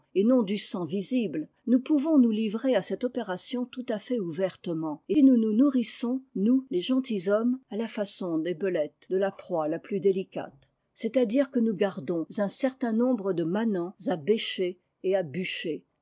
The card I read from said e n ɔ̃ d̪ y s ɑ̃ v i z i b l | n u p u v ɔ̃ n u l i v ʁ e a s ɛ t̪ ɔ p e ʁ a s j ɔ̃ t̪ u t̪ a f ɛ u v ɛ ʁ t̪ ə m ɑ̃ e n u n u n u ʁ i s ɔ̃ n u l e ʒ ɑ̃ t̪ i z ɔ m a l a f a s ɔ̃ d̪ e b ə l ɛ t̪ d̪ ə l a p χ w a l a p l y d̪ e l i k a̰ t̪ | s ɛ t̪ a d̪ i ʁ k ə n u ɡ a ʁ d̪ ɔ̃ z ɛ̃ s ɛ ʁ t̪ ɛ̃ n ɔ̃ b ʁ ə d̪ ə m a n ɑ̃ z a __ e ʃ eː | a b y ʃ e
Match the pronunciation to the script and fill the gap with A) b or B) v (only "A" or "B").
A